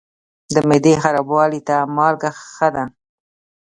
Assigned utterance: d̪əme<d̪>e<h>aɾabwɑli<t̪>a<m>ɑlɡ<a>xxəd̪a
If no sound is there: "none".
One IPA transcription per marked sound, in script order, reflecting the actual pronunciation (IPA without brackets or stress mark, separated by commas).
d̪, x, t̪, m, a